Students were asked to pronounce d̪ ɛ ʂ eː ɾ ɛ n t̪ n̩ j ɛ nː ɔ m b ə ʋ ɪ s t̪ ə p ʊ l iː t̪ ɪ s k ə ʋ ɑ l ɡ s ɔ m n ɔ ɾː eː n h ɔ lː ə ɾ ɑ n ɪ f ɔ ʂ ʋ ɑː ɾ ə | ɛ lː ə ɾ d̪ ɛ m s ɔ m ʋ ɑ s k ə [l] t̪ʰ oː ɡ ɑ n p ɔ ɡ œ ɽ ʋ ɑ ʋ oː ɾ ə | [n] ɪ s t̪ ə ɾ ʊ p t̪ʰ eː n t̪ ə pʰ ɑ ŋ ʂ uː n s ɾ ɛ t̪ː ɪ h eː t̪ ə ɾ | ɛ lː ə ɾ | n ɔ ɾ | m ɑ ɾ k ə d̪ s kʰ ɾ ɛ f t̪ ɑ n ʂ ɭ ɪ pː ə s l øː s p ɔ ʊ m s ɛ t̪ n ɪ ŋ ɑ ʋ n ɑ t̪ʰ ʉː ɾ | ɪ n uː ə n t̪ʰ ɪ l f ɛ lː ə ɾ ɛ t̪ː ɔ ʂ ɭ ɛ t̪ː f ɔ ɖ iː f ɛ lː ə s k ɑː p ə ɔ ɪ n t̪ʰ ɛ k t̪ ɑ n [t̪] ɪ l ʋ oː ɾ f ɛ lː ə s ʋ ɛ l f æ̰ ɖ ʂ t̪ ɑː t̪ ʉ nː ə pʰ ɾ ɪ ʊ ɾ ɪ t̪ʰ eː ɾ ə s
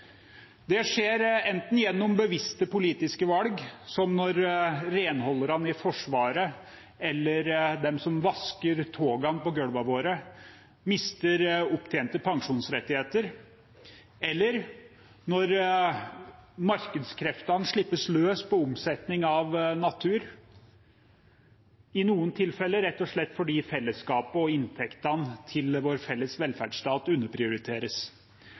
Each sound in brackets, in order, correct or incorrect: incorrect: ɾ, incorrect: m, incorrect: t̪ʰ

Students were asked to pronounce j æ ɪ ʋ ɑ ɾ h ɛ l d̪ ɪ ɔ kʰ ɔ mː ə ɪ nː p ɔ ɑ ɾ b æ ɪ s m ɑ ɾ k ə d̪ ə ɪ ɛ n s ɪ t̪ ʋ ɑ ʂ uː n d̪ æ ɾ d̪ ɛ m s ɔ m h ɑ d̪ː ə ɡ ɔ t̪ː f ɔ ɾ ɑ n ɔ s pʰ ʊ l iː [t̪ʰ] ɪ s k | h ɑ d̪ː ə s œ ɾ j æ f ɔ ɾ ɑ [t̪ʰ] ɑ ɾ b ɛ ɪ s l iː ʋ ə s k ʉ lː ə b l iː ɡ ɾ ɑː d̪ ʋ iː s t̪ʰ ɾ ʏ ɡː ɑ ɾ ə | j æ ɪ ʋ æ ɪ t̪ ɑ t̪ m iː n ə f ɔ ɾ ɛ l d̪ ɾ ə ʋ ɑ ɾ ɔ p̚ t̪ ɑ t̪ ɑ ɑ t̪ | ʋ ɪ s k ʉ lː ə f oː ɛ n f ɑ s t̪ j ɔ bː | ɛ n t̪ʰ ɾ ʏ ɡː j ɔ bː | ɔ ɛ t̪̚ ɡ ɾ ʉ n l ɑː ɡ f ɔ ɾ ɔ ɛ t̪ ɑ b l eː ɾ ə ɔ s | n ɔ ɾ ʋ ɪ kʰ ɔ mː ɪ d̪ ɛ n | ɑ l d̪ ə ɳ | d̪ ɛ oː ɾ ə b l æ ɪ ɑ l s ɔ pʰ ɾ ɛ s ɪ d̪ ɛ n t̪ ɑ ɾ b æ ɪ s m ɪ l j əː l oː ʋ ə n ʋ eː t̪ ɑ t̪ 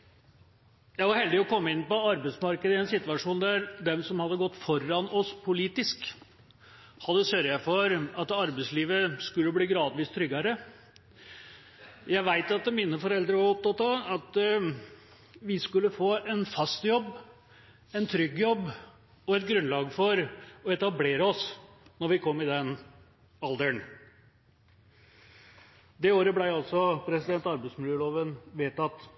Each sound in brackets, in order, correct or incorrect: incorrect: t̪, incorrect: t̪

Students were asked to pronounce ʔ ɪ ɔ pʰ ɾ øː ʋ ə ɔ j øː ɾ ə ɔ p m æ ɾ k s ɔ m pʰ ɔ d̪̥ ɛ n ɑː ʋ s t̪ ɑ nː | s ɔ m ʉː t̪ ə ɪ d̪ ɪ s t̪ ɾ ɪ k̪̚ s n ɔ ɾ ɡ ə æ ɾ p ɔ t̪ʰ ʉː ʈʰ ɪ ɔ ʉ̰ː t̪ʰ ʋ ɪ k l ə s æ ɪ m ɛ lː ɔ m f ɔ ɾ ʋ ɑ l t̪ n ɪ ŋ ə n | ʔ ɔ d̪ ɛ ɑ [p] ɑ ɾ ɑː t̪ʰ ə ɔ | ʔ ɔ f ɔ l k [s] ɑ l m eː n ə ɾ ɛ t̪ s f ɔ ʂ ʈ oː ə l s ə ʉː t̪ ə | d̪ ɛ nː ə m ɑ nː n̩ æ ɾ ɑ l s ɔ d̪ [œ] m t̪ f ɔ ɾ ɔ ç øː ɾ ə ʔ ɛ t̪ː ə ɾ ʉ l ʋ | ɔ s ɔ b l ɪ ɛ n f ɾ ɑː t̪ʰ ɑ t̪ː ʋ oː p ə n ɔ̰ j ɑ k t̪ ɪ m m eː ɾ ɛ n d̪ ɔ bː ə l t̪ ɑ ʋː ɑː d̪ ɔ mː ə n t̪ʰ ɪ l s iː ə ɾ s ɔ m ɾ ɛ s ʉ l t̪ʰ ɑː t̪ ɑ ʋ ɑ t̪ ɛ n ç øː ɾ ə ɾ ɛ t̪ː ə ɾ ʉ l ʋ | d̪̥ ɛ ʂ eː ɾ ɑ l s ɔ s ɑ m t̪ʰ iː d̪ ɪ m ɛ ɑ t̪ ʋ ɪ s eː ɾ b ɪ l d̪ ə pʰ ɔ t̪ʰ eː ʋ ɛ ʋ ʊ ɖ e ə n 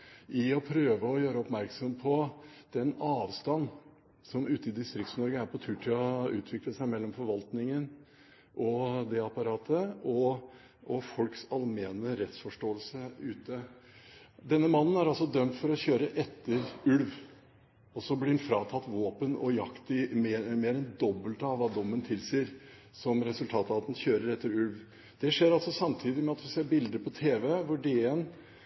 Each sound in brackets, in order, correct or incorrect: correct, correct, correct

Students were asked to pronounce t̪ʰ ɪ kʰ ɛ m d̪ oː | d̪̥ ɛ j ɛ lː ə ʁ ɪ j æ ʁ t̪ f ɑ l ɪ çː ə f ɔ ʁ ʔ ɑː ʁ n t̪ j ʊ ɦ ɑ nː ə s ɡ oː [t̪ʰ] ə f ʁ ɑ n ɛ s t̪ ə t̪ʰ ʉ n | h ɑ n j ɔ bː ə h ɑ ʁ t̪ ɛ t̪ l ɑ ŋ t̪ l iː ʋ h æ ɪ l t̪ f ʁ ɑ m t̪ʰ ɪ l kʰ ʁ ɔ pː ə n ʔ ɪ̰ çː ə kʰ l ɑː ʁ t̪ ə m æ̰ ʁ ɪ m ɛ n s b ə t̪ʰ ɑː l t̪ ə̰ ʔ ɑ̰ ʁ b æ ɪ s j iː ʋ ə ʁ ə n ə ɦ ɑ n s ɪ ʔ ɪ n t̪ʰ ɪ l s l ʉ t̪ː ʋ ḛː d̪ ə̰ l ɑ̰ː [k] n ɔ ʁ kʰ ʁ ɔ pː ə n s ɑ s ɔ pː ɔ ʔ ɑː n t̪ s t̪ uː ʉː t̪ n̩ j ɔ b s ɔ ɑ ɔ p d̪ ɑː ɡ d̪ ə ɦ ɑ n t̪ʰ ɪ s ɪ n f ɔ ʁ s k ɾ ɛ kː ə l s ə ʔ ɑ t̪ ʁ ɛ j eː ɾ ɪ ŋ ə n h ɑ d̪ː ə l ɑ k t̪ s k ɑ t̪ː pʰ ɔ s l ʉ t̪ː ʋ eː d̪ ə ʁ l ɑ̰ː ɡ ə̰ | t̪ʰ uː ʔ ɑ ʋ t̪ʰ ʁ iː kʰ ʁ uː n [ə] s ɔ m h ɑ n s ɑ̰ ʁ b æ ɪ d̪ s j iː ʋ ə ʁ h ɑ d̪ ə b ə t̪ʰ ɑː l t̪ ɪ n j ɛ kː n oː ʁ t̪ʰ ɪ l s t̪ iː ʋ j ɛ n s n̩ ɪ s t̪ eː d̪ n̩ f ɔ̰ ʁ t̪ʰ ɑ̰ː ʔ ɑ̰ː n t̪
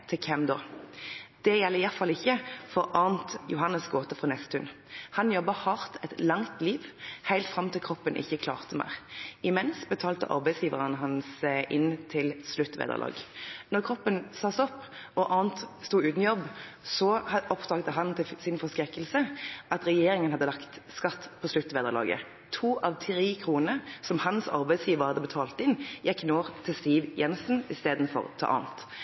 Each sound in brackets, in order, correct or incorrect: incorrect: t̪, incorrect: ɡ, correct

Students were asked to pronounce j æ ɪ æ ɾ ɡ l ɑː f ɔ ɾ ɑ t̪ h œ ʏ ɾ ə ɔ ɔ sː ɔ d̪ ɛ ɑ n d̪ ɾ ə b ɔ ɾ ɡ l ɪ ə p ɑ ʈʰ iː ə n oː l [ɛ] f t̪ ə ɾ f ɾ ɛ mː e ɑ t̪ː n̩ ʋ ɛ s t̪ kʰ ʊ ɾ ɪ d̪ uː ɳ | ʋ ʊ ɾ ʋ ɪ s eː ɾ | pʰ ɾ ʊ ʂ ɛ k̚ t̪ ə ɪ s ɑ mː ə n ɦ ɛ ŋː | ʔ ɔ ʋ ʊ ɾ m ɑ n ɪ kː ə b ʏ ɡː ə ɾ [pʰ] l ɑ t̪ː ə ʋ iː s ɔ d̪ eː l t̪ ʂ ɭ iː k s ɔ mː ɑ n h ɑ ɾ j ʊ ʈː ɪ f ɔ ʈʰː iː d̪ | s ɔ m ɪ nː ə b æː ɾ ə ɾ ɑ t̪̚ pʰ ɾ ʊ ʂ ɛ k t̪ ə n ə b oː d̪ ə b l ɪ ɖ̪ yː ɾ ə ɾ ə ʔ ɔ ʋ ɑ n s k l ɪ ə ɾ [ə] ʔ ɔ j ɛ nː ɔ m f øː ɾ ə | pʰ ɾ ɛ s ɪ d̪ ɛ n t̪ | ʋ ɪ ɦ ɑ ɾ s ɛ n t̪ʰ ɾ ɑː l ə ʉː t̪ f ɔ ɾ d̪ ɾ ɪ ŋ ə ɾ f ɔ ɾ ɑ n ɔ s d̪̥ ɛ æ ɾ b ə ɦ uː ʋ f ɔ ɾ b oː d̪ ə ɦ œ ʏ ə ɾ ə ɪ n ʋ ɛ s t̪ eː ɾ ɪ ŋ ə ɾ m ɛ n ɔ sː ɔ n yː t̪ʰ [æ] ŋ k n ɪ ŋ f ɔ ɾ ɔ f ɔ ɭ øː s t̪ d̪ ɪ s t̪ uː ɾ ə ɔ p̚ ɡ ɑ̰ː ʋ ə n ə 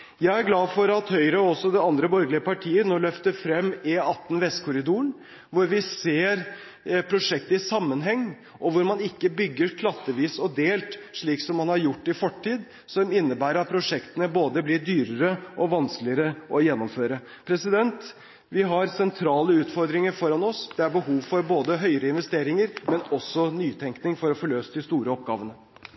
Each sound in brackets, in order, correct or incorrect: incorrect: œ, incorrect: kʰ, correct, incorrect: ɛ

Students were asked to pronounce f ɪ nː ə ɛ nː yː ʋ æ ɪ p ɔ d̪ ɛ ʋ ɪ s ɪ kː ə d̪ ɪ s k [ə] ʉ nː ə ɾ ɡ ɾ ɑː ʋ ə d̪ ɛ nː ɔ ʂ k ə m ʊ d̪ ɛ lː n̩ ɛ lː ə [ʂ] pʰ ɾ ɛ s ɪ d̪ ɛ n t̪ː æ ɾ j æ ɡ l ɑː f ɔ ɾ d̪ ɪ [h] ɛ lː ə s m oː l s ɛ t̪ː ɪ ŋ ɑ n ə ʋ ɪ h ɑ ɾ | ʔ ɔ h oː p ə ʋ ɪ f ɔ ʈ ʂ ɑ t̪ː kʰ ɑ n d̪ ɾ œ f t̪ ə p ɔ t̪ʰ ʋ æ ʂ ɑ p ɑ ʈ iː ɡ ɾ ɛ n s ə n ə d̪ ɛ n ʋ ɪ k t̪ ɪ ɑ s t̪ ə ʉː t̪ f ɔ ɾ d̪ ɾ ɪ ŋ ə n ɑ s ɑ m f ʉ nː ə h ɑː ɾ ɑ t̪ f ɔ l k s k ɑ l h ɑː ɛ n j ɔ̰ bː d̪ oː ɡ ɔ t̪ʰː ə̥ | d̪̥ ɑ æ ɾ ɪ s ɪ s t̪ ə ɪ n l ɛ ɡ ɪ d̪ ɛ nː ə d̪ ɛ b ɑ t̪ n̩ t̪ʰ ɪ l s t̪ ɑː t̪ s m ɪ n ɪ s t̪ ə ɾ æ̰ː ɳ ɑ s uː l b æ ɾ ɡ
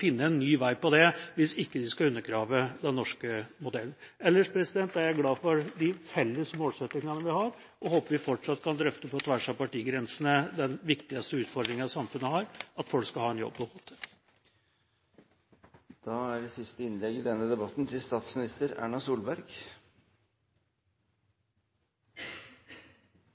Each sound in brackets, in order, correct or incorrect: incorrect: ɑ, correct, incorrect: f

